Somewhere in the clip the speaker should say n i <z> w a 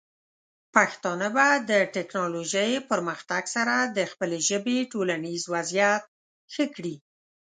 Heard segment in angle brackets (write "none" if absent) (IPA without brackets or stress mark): z